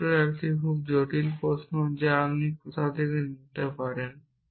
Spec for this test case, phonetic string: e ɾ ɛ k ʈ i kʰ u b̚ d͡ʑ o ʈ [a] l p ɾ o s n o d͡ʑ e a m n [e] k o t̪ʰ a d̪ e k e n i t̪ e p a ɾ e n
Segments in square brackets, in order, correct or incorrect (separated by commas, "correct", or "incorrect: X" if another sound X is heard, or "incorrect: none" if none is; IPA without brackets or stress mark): incorrect: i, incorrect: i